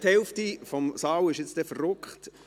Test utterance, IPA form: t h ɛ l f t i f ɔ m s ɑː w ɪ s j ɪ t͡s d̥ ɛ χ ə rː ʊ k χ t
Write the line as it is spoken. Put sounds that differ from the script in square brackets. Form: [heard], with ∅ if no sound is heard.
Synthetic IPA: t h ɛ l f t i f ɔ m s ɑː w ɪ [ʃ] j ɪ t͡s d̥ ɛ [f] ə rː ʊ k χ t